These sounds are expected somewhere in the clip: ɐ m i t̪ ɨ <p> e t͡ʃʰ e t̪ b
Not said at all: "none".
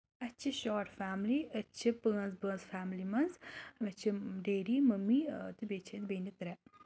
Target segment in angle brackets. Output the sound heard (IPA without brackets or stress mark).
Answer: b